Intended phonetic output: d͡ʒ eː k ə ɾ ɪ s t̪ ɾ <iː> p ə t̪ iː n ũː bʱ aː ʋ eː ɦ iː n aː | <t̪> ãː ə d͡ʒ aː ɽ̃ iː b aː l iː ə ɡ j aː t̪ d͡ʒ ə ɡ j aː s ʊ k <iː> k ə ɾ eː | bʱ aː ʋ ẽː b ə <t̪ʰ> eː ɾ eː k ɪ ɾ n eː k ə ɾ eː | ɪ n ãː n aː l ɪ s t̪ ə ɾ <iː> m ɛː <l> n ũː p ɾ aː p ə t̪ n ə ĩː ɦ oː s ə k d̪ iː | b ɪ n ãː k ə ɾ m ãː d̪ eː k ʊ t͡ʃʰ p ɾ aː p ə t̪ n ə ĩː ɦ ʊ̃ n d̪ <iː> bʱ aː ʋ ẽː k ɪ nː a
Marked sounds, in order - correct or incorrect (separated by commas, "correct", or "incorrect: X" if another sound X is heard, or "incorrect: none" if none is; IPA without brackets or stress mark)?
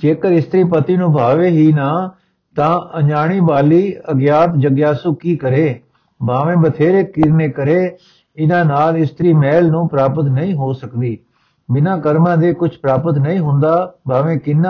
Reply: correct, correct, correct, correct, correct, correct, incorrect: aː